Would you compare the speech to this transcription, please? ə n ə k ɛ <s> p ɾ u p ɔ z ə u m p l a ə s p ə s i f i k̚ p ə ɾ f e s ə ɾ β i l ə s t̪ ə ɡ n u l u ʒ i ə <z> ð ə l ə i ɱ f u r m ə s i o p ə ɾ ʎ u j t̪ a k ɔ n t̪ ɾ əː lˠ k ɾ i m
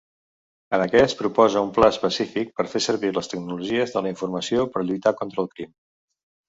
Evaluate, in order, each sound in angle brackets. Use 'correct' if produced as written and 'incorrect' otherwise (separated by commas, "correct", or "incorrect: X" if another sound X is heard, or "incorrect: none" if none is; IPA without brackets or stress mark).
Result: correct, correct